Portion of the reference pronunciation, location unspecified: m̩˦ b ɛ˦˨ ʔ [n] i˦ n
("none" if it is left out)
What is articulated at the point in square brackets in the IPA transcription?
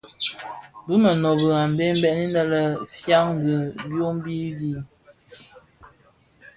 n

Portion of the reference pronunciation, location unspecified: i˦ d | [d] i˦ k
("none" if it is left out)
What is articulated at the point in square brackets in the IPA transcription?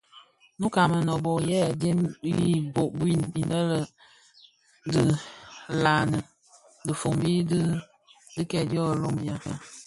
d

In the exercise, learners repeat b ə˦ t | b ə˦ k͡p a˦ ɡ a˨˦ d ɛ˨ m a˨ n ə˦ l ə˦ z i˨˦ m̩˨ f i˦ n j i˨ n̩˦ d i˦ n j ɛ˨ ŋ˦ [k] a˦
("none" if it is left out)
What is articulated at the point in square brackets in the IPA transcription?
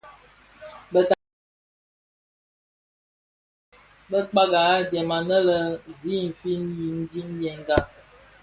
ɡ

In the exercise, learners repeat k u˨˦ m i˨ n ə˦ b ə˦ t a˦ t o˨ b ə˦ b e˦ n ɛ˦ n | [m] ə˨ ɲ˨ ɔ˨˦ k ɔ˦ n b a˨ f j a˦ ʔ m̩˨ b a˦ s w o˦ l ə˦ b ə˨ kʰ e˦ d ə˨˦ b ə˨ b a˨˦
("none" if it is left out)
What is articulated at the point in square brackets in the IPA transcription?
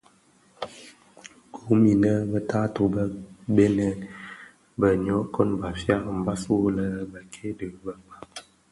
b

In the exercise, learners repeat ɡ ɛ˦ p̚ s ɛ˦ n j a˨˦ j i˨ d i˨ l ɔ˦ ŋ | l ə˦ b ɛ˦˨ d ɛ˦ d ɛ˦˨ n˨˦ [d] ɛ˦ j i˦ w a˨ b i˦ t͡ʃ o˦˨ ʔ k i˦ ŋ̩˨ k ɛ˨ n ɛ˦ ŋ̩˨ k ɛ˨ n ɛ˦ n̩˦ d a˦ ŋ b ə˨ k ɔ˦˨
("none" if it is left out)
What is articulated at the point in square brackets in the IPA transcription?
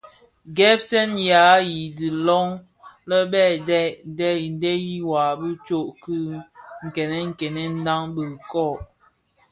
d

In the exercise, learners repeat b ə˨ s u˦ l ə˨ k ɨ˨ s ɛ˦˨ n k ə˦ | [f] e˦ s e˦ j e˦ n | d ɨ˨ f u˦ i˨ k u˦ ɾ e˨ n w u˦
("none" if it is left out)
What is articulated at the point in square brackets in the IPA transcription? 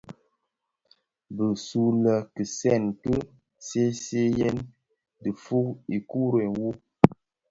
s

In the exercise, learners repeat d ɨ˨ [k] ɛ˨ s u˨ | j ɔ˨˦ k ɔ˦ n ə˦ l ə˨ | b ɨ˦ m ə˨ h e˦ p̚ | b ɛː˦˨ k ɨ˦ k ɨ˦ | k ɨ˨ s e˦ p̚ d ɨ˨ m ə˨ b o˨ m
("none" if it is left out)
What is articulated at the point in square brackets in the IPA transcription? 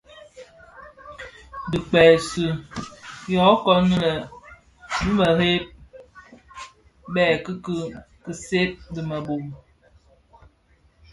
k͡p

